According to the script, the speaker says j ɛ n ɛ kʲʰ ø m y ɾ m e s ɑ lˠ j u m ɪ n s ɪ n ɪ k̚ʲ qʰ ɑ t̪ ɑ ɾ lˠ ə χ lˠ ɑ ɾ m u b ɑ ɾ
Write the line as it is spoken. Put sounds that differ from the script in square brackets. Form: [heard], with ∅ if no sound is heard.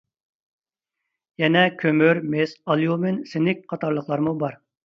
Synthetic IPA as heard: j ɛ n ɛ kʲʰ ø m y ɾ m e s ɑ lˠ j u m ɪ n s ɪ n ɪ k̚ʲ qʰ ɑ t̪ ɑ ɾ lˠ ə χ lˠ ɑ ɾ m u b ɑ ɾ

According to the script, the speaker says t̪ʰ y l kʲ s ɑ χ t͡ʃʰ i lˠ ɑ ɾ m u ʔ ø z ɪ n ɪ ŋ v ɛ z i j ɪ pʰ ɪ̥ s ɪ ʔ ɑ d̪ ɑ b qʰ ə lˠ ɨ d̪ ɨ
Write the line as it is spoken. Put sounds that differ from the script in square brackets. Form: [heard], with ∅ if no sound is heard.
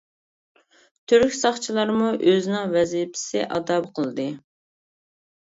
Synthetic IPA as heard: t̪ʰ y [ɾ] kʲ s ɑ χ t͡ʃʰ i lˠ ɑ ɾ m u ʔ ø z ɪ n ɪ ŋ v ɛ z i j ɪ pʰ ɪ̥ s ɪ ʔ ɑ d̪ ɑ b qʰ ə lˠ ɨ d̪ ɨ

